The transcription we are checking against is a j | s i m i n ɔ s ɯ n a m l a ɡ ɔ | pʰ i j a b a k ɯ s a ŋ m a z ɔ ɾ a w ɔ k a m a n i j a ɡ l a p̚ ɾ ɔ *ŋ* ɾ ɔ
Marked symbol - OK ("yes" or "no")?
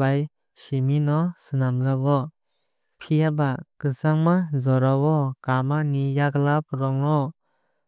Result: yes